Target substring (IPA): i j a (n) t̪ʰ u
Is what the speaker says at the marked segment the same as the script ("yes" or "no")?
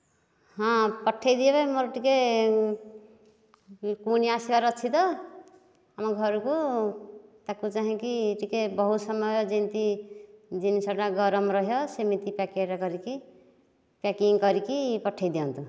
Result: yes